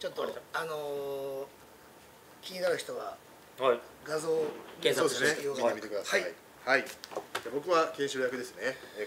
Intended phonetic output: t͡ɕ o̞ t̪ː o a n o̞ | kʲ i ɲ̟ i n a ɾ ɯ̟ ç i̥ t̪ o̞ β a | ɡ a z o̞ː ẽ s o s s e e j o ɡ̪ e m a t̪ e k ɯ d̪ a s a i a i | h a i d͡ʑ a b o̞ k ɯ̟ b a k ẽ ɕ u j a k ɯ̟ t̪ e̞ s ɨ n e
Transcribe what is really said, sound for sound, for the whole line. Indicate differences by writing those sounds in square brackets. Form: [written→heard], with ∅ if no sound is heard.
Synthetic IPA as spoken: t͡ɕ o̞ t̪ː o a n o̞ | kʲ i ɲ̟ i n a ɾ ɯ̟ ç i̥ t̪ o̞ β a | ɡ a z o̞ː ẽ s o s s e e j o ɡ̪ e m [a→i] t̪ e k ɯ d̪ a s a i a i | h a i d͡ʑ a b o̞ k ɯ̟ [b→β] a k ẽ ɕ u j a k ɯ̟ [t̪→d̪] e̞ s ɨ n e